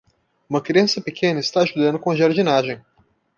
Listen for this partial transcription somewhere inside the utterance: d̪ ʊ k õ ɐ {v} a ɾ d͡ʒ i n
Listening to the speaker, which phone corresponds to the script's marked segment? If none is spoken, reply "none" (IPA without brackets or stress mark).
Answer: ʒ